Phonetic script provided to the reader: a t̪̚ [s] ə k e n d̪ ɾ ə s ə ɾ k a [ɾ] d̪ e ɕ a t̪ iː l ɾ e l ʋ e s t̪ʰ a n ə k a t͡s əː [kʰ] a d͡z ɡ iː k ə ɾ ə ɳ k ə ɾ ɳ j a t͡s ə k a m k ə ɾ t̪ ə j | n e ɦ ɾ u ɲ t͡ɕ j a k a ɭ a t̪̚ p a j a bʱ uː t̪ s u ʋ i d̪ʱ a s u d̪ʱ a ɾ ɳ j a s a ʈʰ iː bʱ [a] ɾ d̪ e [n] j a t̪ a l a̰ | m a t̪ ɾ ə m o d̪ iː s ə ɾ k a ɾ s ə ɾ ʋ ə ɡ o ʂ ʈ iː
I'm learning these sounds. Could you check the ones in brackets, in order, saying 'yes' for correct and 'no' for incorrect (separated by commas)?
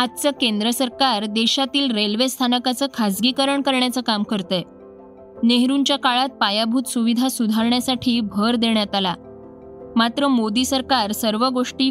no, yes, yes, no, no